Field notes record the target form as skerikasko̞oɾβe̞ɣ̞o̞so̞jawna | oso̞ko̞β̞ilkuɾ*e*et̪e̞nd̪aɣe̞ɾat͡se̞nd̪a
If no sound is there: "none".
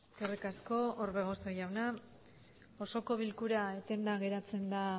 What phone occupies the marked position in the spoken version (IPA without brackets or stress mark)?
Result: a